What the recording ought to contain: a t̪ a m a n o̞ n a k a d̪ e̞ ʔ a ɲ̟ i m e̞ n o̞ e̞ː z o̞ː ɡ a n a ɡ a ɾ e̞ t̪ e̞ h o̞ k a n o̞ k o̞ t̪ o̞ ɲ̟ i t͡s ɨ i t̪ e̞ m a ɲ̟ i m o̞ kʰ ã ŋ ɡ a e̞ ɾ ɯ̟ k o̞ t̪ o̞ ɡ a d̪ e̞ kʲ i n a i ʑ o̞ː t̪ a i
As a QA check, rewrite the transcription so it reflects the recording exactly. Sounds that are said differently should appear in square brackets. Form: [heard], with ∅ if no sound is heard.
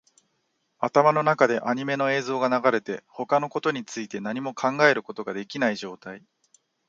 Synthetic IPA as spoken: a t̪ a m a n o̞ n a k a d̪ e̞ ʔ a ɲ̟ i m e̞ n o̞ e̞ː z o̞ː ɡ a n a ɡ a ɾ e̞ t̪ e̞ h o̞ k a n o̞ k o̞ t̪ o̞ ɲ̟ i t͡s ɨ i t̪ e̞ [n] a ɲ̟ i m o̞ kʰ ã ŋ ɡ a e̞ ɾ ɯ̟ k o̞ t̪ o̞ ɡ a d̪ e̞ kʲ i n a i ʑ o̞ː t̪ a i